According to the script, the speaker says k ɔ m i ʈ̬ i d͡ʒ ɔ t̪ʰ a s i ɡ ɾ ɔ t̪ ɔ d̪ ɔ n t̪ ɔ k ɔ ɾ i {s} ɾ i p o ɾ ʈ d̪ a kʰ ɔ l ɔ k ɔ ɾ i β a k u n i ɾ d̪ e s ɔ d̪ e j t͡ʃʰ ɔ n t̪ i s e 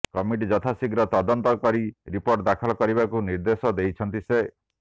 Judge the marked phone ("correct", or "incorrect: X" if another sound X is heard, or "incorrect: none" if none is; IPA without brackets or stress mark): incorrect: none